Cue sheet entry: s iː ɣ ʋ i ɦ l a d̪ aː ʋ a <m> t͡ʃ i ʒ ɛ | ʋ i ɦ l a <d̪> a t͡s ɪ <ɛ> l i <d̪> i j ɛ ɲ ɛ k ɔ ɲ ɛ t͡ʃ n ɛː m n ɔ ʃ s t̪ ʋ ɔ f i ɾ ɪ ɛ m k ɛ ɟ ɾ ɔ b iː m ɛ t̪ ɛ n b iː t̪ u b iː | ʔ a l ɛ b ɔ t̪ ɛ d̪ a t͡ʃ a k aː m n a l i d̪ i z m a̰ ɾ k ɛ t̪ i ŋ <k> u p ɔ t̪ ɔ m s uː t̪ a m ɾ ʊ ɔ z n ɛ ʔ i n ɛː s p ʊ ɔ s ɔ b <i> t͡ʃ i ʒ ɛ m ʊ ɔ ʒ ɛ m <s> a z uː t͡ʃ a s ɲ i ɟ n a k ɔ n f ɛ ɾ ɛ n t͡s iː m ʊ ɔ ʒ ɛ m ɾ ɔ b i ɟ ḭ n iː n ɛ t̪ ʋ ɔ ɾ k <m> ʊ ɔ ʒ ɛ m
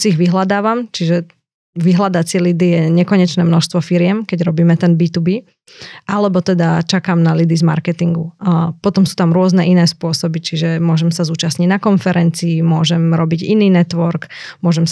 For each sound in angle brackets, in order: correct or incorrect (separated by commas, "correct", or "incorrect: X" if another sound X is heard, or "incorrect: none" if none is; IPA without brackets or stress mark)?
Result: correct, correct, correct, correct, incorrect: ɡ, correct, correct, correct